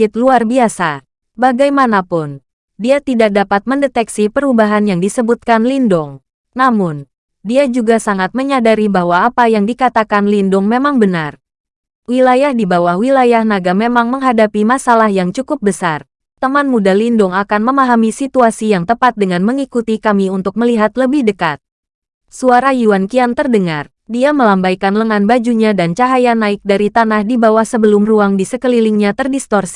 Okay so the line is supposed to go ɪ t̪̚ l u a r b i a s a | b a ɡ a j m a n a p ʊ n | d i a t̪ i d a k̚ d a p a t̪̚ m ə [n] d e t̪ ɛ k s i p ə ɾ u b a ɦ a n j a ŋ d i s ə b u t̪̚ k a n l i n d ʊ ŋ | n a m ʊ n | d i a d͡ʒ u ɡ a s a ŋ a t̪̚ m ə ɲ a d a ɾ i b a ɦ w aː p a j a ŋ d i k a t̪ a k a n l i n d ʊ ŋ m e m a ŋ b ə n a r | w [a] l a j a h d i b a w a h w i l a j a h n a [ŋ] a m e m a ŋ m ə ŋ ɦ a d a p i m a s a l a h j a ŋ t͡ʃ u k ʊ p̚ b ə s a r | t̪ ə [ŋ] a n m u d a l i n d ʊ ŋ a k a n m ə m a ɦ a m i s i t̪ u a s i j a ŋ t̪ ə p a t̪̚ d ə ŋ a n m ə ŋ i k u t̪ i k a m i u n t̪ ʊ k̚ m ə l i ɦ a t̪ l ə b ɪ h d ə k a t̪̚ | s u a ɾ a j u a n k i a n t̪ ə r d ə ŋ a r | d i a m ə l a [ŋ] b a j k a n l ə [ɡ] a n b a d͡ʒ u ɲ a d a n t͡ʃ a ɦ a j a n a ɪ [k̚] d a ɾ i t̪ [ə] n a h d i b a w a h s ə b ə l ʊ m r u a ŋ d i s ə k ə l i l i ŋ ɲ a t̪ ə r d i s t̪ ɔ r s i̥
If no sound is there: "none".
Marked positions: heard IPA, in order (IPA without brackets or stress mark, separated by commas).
n, i, ɡ, m, m, ŋ, k̚, a